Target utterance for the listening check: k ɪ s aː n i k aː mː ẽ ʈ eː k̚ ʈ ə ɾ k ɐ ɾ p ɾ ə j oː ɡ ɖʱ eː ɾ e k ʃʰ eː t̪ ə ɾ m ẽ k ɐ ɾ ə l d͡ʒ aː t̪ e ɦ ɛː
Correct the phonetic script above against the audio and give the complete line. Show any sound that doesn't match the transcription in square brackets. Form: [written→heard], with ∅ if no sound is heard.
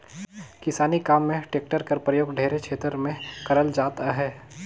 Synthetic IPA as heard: k ɪ s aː n i k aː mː ẽ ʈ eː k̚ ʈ ə ɾ k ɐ ɾ p ɾ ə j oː ɡ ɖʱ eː ɾ e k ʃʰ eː t̪ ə ɾ m ẽ k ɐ ɾ ə l d͡ʒ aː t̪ [e→a] ɦ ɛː